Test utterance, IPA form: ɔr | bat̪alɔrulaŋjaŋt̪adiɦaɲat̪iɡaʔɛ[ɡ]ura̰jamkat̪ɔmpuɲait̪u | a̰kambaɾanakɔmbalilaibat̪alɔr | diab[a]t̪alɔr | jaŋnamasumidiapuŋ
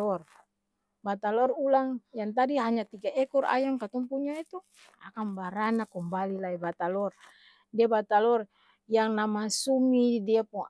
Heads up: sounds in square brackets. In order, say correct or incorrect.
incorrect: k, correct

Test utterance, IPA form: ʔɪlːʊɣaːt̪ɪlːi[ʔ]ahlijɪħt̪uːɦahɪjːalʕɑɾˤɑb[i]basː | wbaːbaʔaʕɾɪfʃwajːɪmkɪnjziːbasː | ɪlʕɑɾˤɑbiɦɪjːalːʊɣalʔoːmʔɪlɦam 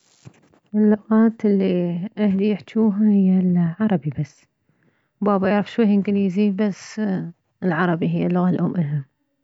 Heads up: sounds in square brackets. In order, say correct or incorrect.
correct, correct

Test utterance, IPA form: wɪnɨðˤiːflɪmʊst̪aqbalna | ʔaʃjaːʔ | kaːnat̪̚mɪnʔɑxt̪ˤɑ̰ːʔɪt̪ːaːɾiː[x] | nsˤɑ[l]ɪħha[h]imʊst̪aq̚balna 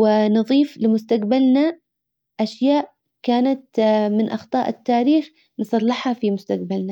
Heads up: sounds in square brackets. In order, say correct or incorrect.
correct, incorrect: lː, incorrect: f

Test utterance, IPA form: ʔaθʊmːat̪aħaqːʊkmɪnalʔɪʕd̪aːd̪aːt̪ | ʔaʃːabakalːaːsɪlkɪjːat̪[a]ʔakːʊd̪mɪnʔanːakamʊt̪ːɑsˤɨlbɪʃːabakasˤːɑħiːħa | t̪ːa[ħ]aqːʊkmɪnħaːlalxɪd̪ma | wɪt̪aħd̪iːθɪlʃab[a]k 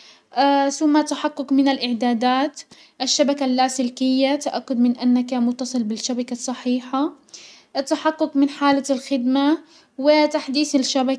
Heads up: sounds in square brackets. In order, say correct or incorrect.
correct, correct, correct

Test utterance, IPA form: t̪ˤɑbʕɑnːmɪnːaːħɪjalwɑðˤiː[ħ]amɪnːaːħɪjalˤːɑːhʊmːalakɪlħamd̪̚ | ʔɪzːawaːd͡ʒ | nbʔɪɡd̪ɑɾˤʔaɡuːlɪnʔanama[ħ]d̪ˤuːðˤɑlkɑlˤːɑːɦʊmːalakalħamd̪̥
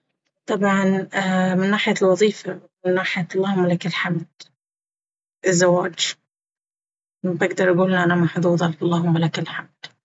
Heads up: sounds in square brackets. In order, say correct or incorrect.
incorrect: f, correct

